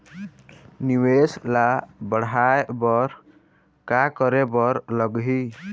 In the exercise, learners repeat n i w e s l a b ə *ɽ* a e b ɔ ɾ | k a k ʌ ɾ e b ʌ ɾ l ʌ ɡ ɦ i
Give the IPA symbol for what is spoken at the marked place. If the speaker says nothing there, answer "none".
ɽ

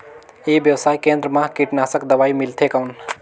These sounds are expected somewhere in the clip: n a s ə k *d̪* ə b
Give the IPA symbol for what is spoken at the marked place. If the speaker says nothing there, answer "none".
d̪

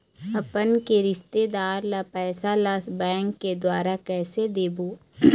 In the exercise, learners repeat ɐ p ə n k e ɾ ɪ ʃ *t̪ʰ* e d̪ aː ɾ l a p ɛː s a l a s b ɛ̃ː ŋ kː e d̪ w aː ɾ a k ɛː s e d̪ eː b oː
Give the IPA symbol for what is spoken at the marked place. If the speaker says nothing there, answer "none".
t̪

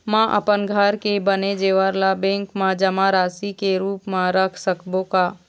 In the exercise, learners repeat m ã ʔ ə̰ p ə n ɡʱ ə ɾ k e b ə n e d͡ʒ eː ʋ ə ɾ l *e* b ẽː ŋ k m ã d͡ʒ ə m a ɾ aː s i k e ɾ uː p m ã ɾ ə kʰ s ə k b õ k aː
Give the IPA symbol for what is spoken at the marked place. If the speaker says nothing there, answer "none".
a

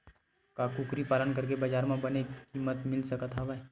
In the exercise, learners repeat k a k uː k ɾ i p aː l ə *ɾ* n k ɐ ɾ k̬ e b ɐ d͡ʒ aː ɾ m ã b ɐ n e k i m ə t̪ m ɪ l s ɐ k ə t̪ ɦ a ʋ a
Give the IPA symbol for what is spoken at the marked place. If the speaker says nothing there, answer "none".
none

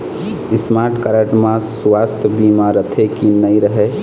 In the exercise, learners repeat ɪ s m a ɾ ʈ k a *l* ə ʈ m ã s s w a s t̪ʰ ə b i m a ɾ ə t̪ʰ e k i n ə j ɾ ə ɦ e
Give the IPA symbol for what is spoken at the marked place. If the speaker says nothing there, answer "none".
ɾ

